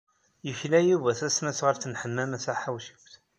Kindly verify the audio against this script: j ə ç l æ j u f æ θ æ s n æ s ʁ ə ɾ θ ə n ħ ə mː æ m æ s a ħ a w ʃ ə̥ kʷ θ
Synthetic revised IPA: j ə ç l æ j u v æ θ æ s n æ s ʁ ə ɾ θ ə n ħ ə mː æ m æ s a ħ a w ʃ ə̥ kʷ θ